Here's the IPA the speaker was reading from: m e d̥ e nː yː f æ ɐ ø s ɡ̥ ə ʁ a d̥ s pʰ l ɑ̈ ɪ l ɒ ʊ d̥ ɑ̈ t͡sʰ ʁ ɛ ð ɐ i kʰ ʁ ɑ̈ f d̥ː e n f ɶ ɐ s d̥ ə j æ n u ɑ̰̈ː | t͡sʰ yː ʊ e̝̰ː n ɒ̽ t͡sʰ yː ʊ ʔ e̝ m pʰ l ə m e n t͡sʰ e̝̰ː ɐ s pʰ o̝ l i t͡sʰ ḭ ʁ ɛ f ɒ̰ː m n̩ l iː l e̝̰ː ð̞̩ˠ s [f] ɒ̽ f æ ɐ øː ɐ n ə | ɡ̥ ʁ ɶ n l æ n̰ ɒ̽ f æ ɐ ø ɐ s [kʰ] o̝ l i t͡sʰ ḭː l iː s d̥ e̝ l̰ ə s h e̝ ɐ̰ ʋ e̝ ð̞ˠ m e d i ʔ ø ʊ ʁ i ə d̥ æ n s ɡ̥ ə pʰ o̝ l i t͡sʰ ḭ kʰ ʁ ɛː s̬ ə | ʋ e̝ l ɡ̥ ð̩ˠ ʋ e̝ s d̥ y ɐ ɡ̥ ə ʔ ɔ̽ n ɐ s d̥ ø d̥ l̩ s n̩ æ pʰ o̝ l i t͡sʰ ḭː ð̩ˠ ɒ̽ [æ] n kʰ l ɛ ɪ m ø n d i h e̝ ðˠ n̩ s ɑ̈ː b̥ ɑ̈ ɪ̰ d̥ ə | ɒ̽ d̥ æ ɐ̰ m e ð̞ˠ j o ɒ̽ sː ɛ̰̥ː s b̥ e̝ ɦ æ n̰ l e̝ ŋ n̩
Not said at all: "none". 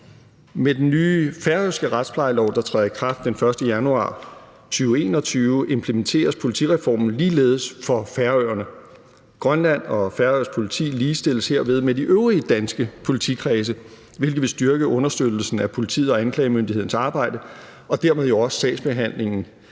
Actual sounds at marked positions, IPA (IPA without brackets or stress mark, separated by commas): f, pʰ, æ